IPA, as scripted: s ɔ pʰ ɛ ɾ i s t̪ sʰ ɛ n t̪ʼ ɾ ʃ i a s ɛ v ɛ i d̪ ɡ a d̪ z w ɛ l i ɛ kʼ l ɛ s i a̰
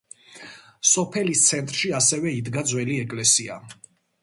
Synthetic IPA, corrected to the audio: s ɔ pʰ ɛ l i s t̪ sʰ ɛ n t̪ʼ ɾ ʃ i a s ɛ v ɛ i d̪ ɡ a d̪ z w ɛ l i ɛ kʼ l ɛ s i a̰